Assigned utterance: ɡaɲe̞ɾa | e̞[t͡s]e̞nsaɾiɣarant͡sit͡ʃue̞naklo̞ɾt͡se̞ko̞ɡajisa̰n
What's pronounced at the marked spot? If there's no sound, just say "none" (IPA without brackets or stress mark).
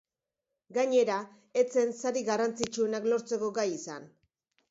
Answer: t͡s